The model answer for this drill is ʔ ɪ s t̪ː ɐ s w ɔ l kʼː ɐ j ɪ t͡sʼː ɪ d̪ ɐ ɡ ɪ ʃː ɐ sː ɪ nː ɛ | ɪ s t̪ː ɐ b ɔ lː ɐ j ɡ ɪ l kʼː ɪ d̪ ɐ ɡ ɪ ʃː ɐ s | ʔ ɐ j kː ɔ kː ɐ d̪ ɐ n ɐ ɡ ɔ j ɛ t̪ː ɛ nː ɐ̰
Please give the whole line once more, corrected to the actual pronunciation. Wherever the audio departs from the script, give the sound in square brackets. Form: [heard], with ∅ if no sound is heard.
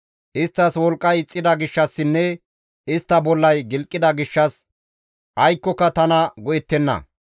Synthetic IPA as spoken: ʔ ɪ s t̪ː ɐ s w ɔ l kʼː ɐ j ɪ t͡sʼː ɪ d̪ ɐ ɡ ɪ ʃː ɐ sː ɪ nː ɛ | ɪ s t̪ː ɐ b ɔ lː ɐ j ɡ ɪ l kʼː ɪ d̪ ɐ ɡ ɪ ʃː ɐ s | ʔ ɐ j kː ɔ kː ɐ [t̪] ɐ n ɐ ɡ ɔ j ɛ t̪ː ɛ nː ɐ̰